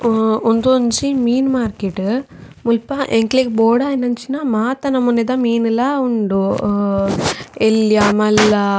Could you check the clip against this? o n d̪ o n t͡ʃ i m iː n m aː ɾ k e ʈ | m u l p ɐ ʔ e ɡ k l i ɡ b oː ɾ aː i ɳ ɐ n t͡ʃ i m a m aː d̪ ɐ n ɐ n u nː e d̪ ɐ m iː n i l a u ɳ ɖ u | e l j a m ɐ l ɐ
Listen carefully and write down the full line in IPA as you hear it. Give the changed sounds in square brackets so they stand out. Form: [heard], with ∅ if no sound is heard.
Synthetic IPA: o n d̪ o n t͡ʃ i m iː n m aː ɾ k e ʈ | m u l p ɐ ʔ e [ŋ] k l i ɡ b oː [ɽ] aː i [n] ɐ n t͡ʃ i [n] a m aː [t̪] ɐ n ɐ [m] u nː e d̪ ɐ m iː n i l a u ɳ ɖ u | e l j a m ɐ l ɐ